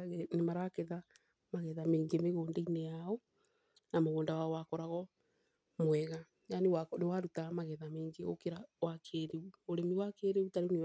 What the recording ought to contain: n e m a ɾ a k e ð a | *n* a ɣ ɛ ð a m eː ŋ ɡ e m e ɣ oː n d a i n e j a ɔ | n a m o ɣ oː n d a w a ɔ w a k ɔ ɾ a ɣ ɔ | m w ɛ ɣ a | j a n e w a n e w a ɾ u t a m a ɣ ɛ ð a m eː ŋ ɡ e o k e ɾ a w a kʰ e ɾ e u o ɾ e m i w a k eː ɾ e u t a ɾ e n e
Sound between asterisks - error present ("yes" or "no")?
yes